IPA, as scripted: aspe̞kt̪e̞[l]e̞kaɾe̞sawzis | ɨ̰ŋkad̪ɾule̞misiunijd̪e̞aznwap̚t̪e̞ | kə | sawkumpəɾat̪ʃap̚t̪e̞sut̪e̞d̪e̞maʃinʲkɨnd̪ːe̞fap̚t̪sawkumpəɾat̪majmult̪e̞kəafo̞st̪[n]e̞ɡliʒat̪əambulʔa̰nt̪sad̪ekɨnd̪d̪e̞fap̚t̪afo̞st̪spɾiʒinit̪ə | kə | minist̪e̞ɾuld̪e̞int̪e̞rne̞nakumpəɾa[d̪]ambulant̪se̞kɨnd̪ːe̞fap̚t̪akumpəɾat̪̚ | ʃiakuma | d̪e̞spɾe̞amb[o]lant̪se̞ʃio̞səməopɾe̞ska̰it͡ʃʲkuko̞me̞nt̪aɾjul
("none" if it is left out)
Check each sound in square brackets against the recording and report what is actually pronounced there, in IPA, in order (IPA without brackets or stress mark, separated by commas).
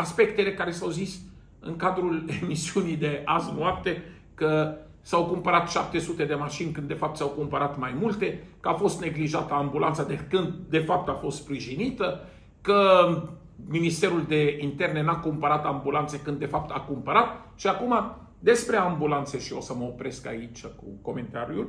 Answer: l, n, t̪, u